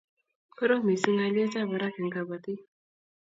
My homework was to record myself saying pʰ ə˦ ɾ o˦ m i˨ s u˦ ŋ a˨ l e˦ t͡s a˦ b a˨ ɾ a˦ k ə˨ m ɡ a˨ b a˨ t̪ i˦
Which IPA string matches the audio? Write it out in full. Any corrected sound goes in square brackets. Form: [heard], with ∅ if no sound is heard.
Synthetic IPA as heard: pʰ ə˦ ɾ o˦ m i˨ s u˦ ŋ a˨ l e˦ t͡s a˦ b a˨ ɾ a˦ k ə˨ [ŋ] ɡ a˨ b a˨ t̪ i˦